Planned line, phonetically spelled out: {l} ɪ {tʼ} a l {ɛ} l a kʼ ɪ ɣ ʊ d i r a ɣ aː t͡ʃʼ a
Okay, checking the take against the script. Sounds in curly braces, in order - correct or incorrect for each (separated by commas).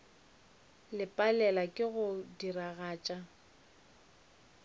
correct, incorrect, correct